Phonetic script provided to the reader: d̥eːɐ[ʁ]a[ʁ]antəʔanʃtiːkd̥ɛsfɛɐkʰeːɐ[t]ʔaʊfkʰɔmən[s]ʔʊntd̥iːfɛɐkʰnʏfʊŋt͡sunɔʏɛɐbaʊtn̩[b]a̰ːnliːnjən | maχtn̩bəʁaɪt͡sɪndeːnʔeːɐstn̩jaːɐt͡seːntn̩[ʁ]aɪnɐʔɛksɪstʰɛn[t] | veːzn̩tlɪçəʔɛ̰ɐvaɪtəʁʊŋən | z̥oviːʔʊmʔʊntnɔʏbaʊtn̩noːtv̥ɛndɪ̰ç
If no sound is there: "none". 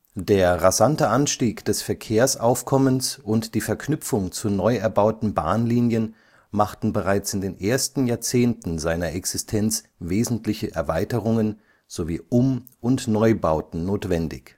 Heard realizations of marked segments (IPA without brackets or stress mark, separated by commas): ʁ, z, s, s, b, z, t͡s